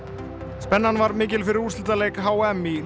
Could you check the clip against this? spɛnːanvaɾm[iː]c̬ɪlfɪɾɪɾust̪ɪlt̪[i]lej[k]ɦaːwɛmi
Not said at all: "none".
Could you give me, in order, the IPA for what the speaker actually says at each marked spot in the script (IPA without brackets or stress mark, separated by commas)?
ɪː, a, k